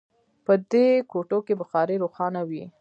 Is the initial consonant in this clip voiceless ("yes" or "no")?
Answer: yes